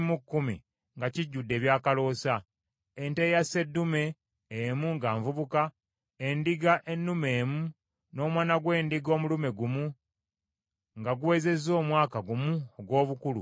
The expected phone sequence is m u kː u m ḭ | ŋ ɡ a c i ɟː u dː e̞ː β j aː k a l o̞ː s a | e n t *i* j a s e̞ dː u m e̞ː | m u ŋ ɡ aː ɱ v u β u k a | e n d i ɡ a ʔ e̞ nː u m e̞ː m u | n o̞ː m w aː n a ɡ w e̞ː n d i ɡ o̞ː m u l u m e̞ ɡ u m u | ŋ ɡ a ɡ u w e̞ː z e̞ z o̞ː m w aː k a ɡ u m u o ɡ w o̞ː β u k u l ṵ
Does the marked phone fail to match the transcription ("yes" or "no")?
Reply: yes